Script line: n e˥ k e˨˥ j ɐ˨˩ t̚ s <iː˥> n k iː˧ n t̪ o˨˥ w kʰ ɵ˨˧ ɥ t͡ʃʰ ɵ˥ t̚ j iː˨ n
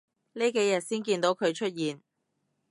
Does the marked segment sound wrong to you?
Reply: no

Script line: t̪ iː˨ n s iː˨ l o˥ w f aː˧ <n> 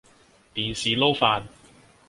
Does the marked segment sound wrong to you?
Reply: no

